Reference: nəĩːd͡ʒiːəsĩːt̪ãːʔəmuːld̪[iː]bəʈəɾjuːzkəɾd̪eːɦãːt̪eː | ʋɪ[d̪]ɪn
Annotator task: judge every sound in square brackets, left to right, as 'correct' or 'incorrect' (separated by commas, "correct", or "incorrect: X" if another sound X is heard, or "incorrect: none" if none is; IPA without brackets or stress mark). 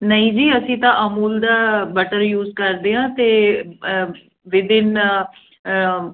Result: incorrect: aː, correct